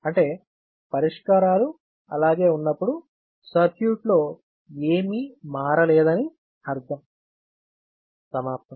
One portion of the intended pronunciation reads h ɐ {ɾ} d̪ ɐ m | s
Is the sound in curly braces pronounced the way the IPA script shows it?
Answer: yes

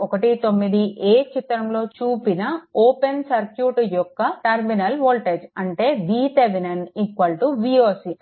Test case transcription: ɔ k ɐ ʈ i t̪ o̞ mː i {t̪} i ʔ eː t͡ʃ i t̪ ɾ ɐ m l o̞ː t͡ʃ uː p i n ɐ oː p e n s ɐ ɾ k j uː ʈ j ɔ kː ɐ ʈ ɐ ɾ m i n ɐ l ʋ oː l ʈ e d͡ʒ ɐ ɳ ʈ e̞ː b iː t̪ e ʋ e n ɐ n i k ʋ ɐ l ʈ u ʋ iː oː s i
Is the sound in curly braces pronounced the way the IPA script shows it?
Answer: no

